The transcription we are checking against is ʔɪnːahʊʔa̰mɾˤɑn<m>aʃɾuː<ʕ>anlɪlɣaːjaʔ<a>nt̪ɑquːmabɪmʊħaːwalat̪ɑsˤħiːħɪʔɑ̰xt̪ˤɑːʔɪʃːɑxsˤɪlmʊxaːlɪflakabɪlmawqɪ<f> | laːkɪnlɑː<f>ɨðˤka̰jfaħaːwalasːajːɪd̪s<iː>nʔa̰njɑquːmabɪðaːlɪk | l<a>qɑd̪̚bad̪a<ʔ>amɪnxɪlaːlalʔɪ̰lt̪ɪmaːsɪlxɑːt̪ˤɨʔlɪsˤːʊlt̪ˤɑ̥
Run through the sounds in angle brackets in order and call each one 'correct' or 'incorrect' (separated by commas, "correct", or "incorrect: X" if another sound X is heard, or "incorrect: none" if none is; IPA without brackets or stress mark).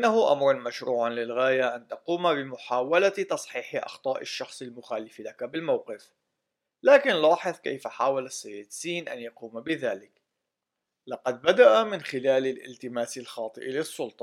correct, correct, correct, correct, incorrect: ħ, correct, incorrect: ɑ, correct